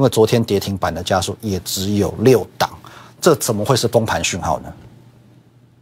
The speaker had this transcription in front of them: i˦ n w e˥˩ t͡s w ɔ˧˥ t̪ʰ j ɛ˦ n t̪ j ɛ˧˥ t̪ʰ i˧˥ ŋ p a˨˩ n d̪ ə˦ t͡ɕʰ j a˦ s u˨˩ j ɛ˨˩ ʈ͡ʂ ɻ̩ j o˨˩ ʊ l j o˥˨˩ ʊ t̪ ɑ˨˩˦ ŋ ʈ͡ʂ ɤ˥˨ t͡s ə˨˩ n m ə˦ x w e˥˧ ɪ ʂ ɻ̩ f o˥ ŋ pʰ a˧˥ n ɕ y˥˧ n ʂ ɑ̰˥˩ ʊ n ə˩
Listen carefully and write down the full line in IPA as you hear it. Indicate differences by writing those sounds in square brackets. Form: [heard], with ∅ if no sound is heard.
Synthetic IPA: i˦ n w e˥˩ t͡s w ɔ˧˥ t̪ʰ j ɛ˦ n t̪ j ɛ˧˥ t̪ʰ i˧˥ ŋ p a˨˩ n d̪ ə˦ [t͡ɕ] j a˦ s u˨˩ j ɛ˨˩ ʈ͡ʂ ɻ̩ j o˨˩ ʊ l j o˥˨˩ ʊ t̪ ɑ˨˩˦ ŋ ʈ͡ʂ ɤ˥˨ t͡s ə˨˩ n m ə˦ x w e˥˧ ɪ ʂ ɻ̩ f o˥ ŋ pʰ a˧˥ n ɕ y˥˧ n [x] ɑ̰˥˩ ʊ n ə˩